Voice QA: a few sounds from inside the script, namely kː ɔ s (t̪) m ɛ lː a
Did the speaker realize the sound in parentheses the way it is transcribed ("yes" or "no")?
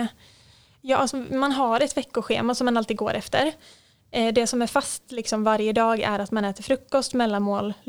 yes